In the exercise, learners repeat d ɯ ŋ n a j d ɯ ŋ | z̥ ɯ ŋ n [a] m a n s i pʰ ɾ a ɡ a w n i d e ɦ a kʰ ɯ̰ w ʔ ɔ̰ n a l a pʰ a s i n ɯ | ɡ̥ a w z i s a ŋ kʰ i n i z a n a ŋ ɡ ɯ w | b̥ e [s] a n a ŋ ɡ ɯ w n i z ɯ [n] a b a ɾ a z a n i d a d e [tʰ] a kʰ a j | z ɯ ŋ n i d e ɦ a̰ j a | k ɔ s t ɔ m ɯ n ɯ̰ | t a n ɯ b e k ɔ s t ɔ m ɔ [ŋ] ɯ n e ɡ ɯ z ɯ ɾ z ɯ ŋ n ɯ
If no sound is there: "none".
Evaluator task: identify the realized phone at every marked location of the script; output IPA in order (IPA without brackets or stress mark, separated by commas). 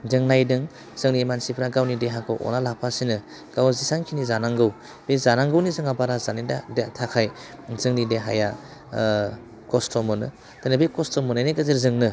i, z, ŋ, tʰ, n